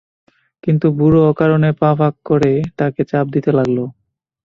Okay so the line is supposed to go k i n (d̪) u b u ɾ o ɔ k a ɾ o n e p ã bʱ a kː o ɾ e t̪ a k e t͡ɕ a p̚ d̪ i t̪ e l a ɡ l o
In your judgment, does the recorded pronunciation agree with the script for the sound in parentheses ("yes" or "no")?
no